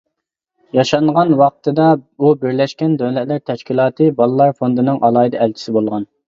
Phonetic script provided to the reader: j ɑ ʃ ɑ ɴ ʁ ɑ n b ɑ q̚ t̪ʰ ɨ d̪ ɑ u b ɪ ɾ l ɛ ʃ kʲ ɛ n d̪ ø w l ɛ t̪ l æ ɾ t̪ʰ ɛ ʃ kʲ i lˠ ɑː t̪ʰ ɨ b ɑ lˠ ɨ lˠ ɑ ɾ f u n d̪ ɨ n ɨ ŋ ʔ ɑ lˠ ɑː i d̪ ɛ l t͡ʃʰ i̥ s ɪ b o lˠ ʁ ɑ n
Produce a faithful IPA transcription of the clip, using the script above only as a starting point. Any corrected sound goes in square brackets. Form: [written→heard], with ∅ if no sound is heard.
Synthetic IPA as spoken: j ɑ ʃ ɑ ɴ ʁ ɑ n [b→w] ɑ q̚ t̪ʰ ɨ d̪ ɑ u b ɪ ɾ l ɛ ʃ kʲ ɛ n d̪ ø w l ɛ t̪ l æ ɾ t̪ʰ ɛ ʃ kʲ i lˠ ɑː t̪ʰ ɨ b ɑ lˠ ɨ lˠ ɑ ɾ f [u→o] n d̪ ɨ n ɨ ŋ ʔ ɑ lˠ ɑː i d̪ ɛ l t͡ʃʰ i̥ s ɪ b o lˠ ʁ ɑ n